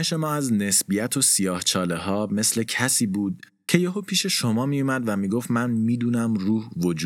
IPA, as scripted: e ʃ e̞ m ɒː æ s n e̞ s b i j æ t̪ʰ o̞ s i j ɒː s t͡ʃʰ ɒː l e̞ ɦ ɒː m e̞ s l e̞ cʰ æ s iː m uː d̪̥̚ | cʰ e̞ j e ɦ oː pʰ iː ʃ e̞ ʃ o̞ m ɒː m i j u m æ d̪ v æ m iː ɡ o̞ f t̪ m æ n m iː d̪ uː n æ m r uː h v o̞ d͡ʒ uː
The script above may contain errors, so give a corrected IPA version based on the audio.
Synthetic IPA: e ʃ e̞ m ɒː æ z n e̞ s b i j æ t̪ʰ o̞ s i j ɒː h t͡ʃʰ ɒː l e̞ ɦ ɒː m e̞ s l e̞ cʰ æ s iː b uː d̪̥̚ | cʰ e̞ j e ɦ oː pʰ iː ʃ e̞ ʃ o̞ m ɒː m i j u m æ d̪ v æ m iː ɡ o̞ f t̪ m æ n m iː d̪ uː n æ m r uː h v o̞ d͡ʒ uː